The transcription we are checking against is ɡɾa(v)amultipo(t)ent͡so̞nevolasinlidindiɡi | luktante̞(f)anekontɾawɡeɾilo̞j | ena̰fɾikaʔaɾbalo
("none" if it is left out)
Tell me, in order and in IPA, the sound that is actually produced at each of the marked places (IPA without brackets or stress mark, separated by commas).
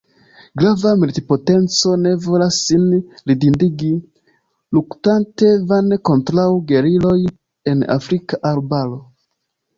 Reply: v, t, v